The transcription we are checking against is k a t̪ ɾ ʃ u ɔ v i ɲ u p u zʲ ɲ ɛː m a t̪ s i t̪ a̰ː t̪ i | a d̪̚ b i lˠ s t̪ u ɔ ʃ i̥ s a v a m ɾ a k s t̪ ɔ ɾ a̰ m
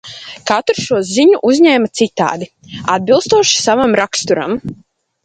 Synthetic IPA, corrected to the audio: k a t̪ ɾ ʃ u ɔ z i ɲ u ʔ u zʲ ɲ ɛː m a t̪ s i t̪ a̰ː d̪ i | a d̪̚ b i lˠ s t̪ u ɔ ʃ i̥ s a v a m ɾ a k s t̪ u ɾ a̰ m